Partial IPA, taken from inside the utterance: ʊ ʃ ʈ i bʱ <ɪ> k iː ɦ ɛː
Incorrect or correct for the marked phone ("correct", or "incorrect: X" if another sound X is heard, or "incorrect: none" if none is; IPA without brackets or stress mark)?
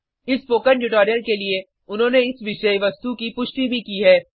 incorrect: i